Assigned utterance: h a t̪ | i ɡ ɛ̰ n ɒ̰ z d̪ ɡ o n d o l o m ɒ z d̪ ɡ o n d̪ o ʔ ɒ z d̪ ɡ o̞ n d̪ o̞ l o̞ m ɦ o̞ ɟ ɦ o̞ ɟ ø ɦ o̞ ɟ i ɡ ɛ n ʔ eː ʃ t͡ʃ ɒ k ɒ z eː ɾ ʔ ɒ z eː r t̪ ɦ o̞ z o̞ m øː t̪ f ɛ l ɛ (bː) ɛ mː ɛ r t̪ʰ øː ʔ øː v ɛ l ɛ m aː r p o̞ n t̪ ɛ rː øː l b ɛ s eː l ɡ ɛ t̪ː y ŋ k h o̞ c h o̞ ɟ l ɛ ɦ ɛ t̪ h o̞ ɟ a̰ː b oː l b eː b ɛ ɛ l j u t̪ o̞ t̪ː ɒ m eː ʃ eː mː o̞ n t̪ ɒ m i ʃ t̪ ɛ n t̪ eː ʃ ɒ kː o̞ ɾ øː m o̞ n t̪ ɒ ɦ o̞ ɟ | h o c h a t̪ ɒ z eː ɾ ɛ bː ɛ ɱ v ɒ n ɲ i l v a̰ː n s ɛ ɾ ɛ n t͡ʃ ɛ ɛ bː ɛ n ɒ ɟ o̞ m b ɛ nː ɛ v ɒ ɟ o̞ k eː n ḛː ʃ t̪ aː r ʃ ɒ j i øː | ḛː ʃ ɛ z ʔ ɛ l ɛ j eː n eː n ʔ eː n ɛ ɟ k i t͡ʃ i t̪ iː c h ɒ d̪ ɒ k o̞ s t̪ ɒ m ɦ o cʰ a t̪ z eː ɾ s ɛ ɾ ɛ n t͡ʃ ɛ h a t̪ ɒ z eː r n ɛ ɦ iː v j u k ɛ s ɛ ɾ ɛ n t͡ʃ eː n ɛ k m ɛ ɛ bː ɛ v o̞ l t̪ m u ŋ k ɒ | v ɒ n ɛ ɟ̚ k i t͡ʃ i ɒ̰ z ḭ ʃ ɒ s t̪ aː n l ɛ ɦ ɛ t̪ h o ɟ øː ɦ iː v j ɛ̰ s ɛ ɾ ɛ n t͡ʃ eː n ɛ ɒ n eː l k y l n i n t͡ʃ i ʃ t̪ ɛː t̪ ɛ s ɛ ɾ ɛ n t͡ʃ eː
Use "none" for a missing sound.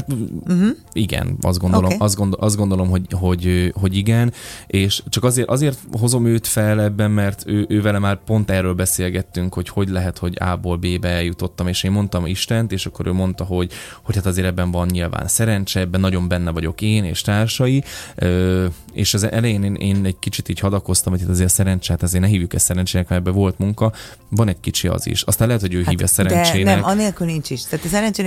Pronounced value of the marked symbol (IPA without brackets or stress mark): bː